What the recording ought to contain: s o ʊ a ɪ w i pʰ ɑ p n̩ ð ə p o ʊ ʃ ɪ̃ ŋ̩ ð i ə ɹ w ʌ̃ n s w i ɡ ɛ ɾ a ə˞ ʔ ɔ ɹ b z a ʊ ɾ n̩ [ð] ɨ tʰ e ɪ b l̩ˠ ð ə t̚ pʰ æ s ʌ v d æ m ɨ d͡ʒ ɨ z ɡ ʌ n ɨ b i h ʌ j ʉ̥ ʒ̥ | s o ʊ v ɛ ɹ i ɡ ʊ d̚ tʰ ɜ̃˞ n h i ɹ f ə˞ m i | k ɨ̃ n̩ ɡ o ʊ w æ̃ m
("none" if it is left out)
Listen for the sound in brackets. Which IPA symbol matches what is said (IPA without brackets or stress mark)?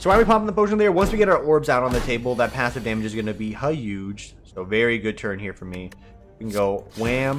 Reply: ð